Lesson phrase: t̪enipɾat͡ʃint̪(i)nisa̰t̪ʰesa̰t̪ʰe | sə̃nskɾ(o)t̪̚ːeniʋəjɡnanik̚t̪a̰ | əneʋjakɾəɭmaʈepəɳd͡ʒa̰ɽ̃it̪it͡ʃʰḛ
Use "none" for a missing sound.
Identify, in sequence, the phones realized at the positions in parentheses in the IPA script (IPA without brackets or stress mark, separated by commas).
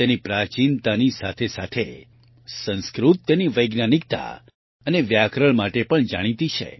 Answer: a, u